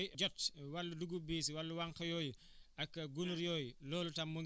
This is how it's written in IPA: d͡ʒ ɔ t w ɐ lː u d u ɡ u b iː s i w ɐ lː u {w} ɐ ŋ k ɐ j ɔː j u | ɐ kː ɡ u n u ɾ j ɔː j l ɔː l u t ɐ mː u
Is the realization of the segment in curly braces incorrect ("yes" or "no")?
no